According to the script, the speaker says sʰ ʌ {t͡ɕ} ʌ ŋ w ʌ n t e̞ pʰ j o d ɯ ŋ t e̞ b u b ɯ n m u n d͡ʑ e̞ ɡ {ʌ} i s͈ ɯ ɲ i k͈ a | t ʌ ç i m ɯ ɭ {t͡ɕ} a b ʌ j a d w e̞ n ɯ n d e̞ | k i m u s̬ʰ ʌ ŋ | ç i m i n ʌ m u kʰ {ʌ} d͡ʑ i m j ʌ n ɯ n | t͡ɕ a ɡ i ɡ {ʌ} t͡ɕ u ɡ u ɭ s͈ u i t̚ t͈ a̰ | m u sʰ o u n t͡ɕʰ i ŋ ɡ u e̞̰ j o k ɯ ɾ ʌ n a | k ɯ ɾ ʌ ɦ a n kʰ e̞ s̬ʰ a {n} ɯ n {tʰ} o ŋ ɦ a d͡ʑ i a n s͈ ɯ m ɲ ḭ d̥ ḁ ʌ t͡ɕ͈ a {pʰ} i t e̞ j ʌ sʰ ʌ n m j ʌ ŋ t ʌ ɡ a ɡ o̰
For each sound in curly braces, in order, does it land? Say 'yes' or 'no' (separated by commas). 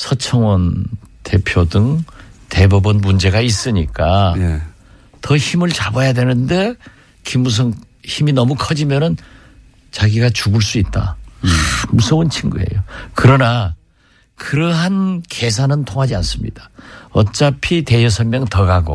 no, no, yes, yes, no, yes, yes, yes